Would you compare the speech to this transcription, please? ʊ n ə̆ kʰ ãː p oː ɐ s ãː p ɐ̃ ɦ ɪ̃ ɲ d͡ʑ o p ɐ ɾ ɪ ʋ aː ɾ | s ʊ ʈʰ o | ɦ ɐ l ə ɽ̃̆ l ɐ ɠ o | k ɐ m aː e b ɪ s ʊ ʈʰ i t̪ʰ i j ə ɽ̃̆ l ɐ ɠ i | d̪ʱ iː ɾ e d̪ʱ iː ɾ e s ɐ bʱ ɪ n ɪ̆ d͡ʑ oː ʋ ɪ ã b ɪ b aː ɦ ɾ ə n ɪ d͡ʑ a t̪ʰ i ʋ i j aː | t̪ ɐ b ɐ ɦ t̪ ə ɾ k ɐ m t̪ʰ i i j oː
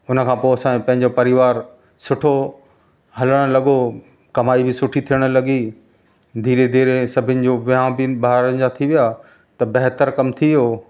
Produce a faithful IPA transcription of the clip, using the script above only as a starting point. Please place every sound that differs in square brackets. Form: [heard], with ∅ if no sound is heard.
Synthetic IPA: ʊ n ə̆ kʰ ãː p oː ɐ s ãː p ɐ̃ ɦ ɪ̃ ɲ d͡ʑ o p ɐ ɾ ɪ ʋ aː ɾ | s ʊ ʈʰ o | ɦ ɐ l ə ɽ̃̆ l ɐ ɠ o | k ɐ m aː [i] b ɪ s ʊ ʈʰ i t̪ʰ i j ə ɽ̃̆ l ɐ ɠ i | d̪ʱ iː ɾ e d̪ʱ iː ɾ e s ɐ bʱ ɪ n ɪ̆ d͡ʑ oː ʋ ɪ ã b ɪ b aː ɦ ɾ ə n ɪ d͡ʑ a t̪ʰ i ʋ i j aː | t̪ ɐ b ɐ ɦ t̪ ə ɾ k ɐ m t̪ʰ i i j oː